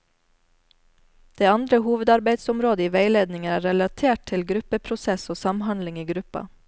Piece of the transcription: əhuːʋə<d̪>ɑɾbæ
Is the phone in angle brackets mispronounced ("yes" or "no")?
no